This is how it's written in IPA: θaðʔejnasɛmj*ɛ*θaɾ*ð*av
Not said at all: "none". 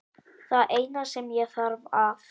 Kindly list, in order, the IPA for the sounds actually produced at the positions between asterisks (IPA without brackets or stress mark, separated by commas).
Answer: ɛ, v